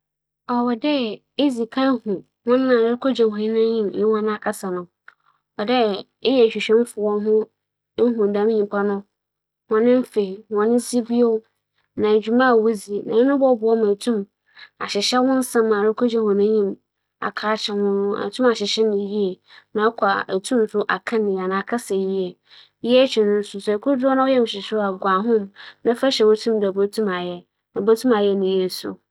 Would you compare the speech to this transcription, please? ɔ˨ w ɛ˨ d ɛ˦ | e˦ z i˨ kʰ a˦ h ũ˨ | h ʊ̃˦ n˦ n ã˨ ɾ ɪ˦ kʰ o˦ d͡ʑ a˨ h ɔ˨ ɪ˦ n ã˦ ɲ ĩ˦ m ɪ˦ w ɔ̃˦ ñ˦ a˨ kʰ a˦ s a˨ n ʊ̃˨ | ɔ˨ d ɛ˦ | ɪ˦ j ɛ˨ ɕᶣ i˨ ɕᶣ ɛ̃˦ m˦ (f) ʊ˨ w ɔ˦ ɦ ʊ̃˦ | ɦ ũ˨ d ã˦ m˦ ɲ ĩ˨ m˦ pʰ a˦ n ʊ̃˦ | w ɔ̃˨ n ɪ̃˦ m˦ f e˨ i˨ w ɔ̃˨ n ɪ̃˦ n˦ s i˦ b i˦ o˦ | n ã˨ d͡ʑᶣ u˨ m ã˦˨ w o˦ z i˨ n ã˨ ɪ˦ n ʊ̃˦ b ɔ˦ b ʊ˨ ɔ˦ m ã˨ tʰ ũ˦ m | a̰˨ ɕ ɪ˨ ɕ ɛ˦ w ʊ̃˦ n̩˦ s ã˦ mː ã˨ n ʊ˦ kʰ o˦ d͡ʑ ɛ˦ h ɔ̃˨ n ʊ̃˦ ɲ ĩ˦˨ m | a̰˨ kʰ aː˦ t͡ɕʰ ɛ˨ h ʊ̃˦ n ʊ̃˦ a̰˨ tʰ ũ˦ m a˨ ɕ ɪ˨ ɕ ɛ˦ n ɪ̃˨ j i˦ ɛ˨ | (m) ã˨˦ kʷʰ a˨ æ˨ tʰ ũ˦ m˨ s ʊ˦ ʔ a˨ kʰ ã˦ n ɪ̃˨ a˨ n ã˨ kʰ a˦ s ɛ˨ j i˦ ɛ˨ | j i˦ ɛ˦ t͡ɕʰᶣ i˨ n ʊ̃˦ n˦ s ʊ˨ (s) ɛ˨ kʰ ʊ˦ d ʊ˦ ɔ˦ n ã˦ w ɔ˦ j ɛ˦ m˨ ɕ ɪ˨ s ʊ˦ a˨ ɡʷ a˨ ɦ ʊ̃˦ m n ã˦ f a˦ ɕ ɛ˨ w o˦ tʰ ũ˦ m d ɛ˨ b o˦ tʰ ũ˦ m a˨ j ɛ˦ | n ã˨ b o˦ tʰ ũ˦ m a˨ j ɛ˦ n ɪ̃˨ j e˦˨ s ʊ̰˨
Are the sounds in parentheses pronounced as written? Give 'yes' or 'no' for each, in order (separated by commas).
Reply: yes, no, yes